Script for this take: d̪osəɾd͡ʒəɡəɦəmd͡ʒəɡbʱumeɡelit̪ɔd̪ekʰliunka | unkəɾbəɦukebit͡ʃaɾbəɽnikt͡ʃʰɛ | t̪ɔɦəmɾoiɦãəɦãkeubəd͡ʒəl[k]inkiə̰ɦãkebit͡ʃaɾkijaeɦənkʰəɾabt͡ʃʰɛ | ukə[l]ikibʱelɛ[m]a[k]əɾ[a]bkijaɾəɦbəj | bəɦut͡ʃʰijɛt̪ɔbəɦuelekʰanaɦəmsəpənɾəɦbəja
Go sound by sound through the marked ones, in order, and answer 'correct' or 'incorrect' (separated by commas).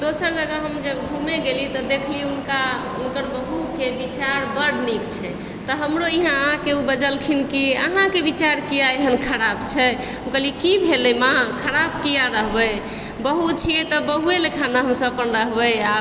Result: incorrect, correct, correct, incorrect, correct